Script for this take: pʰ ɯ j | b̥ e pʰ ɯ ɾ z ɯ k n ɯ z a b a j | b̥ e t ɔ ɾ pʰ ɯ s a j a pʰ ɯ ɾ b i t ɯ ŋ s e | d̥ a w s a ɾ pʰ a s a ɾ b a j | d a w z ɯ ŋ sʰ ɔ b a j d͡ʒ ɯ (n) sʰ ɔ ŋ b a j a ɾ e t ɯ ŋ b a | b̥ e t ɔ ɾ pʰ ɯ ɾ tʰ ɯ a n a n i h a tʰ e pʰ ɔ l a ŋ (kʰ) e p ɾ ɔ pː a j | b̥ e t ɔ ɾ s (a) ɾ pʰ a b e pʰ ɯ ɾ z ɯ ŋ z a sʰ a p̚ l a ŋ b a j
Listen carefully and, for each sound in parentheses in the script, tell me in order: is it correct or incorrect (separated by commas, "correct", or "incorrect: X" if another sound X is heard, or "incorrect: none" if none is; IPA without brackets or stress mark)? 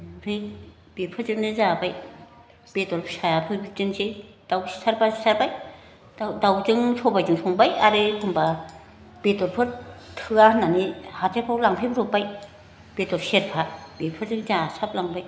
incorrect: ŋ, incorrect: pʰ, incorrect: e